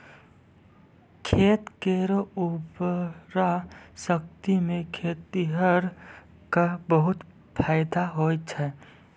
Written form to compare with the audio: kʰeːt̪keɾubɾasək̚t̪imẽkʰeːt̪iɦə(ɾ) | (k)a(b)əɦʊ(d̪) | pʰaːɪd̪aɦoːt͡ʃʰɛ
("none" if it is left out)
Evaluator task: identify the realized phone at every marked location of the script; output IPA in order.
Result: ɾ, k, b, t̪

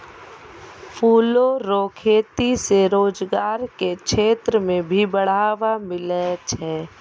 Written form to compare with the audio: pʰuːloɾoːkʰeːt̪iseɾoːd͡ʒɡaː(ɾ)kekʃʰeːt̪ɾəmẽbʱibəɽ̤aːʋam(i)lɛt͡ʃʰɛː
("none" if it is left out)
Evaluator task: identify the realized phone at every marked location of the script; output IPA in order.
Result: ɾ, ɪ

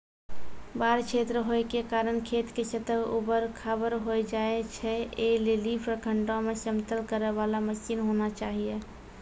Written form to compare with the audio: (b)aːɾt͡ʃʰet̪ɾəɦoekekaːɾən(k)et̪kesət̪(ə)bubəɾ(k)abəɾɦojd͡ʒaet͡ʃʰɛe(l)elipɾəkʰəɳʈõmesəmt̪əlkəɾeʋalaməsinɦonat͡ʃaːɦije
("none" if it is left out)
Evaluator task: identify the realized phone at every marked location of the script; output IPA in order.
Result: b, kʰ, ə, kʰ, l

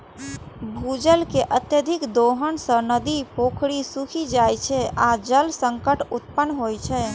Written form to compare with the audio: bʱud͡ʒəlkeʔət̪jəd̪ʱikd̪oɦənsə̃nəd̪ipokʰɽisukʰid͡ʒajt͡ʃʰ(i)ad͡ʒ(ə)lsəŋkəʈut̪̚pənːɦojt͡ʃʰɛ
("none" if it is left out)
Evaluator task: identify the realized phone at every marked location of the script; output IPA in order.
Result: ɛ, ə

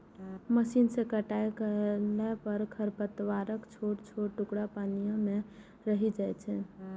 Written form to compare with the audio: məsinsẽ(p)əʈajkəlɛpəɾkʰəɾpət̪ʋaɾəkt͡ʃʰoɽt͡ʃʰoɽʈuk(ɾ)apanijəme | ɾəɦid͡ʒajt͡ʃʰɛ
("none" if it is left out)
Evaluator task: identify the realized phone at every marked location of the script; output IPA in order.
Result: k, ɽ

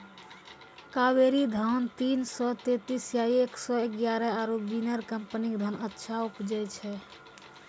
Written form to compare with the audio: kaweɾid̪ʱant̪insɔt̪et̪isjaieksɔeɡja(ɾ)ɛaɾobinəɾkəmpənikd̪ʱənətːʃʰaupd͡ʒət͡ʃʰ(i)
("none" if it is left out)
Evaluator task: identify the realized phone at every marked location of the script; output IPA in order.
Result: ɾ, ɛ

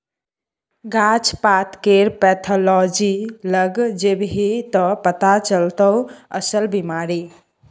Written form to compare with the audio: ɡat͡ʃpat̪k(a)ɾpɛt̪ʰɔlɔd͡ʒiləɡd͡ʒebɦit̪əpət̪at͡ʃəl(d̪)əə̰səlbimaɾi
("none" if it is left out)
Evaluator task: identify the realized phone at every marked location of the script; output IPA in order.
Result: e, t̪

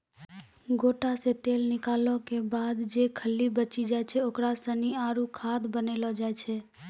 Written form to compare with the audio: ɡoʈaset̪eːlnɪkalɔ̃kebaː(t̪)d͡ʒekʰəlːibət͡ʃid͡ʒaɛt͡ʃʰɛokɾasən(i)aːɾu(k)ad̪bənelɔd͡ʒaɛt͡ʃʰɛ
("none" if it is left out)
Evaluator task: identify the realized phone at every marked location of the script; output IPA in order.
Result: d̪, i, kʰ

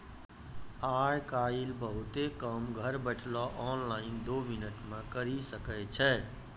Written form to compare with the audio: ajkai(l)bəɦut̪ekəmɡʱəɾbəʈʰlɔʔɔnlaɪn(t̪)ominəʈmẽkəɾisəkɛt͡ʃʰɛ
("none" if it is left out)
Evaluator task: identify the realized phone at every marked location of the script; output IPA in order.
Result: l, d̪

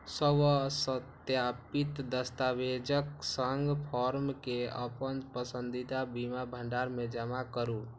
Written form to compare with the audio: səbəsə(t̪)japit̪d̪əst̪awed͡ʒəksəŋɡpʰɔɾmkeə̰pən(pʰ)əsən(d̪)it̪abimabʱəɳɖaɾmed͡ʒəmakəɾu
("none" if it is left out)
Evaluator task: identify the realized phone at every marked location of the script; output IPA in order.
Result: t̪, p, d̪

